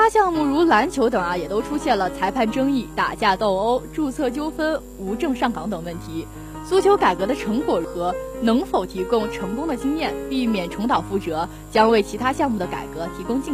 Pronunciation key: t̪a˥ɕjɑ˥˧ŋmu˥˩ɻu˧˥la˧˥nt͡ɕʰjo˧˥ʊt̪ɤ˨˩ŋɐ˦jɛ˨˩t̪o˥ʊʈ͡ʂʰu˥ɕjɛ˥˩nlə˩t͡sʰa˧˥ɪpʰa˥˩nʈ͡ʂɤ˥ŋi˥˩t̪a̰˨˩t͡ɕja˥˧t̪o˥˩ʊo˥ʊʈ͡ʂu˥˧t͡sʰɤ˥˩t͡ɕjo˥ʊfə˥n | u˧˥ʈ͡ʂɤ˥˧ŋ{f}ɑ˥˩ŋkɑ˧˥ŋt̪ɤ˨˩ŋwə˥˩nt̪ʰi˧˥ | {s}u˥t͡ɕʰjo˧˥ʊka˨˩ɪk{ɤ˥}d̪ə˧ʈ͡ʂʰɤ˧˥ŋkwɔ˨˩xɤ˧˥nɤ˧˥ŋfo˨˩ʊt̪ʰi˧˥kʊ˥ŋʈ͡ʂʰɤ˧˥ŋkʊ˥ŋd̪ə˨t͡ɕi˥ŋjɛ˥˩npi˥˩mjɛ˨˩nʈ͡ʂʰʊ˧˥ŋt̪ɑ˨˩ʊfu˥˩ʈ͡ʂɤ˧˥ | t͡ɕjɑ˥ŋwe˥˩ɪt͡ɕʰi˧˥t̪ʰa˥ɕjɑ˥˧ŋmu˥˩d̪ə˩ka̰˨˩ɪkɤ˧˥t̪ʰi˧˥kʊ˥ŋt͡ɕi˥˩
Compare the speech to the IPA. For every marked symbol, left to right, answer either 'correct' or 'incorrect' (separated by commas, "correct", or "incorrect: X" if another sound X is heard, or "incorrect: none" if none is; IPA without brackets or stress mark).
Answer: incorrect: ʂ, correct, incorrect: ɤ˧˥